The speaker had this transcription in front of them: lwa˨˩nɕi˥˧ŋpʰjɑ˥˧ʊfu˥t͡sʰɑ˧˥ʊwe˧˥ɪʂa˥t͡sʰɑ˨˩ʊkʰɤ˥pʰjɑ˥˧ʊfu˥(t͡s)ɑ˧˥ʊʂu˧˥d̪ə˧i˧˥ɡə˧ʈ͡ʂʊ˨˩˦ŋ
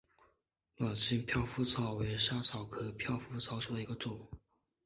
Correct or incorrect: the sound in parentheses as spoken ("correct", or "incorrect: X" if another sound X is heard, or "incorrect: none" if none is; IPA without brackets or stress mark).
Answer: incorrect: t͡sʰ